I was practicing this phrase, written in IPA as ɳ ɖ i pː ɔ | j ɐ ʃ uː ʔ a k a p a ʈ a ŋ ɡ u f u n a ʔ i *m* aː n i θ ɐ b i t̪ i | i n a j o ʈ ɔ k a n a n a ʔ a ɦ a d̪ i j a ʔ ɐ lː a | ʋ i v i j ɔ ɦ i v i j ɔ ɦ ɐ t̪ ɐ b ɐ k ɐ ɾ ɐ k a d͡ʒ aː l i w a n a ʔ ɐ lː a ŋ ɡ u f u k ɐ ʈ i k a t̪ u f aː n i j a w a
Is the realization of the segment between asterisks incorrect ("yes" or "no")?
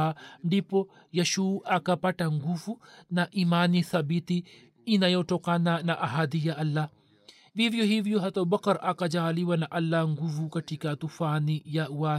no